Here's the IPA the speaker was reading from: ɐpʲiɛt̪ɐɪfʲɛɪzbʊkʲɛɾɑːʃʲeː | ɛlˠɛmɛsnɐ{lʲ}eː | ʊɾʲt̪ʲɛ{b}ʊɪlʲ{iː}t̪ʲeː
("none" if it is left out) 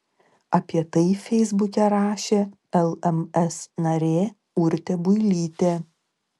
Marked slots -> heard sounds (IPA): ɾʲ, b, iː

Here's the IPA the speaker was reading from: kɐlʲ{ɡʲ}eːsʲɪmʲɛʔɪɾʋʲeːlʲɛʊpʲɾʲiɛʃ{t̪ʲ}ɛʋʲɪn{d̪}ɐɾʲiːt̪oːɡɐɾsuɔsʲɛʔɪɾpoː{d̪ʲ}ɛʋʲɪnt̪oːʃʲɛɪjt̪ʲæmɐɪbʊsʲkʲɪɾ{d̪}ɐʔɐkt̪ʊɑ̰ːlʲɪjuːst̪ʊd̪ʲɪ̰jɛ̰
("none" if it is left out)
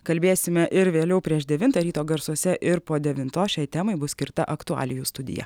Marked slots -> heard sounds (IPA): bʲ, d̪ʲ, t̪, d̪ʲ, t̪

